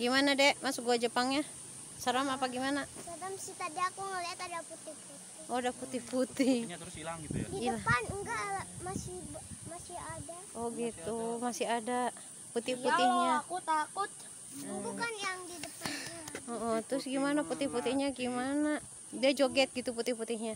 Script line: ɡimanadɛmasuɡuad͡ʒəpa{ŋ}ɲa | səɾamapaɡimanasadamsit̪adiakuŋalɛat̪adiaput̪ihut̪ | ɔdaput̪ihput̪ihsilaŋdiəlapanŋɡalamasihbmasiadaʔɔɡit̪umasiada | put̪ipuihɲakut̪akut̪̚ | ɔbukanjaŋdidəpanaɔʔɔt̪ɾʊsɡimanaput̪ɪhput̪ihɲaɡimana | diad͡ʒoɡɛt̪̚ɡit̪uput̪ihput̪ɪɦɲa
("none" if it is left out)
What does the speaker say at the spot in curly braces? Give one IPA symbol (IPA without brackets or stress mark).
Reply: ŋ